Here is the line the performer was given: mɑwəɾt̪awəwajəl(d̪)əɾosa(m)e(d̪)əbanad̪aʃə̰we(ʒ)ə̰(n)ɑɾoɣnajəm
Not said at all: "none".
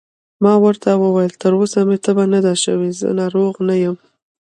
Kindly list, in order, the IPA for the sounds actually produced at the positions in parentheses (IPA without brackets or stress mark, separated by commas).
t̪, m, t̪, z, n